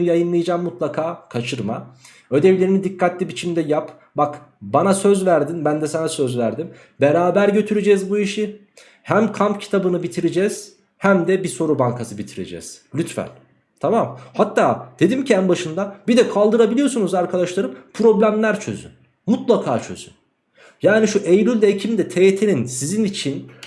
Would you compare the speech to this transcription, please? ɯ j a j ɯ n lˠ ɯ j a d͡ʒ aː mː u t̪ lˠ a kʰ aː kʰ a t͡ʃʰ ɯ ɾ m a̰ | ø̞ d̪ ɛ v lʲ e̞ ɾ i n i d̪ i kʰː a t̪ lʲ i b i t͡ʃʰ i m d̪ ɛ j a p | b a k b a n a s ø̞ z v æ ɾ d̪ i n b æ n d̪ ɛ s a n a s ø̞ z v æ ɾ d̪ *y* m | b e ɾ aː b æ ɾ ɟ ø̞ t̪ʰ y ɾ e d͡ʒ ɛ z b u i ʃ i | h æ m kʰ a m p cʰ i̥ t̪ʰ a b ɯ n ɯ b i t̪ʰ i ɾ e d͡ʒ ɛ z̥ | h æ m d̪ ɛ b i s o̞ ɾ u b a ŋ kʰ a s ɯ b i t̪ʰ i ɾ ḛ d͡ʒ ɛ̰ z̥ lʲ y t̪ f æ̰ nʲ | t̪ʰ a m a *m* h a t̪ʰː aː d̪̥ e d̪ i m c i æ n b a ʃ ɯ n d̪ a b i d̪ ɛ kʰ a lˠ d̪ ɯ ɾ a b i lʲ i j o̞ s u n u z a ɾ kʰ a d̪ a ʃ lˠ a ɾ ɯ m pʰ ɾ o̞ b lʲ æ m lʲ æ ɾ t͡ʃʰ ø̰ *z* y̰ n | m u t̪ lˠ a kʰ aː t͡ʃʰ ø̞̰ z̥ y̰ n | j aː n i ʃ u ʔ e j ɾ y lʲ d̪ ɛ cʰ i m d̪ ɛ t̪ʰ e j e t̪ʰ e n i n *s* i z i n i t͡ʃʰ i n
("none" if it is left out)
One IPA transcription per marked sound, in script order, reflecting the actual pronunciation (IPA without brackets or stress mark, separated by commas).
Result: i, m, z, s